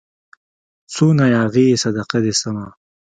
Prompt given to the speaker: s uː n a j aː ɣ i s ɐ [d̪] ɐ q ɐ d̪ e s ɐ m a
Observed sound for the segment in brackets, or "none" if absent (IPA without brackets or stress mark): d̪